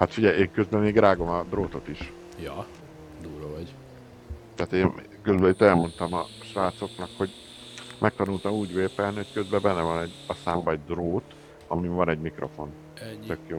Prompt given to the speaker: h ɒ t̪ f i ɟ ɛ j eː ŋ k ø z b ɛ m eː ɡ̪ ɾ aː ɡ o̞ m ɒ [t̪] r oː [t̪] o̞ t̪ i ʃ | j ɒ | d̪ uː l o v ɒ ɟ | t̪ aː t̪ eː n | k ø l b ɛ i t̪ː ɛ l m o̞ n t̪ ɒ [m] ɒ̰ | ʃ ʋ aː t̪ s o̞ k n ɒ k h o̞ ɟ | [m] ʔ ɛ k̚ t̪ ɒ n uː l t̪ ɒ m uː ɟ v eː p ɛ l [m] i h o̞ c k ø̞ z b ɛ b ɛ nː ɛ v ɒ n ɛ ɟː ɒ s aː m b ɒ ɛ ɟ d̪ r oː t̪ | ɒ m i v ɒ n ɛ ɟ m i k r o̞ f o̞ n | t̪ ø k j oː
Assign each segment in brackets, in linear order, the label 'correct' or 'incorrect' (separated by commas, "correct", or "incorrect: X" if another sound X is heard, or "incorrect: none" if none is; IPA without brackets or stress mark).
incorrect: d̪, correct, correct, correct, incorrect: n